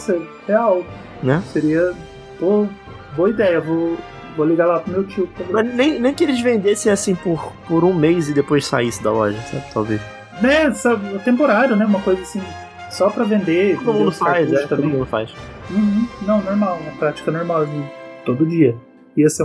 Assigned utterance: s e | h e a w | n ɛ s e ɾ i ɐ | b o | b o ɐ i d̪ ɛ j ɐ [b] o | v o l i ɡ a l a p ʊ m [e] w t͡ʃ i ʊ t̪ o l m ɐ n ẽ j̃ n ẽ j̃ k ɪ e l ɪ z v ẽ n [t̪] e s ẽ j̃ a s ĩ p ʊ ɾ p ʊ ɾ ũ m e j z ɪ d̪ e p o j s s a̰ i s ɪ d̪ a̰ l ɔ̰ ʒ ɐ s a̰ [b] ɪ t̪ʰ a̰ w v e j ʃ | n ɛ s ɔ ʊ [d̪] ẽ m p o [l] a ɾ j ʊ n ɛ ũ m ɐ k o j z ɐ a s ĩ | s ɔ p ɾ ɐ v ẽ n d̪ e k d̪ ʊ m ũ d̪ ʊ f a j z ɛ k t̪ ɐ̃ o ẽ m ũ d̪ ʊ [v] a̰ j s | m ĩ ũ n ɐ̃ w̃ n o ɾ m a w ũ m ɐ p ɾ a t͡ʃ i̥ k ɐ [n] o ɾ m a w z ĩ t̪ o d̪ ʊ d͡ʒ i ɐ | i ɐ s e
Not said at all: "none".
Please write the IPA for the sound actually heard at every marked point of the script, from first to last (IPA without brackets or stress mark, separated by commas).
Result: v, e, d̪, b, t̪, ɾ, f, n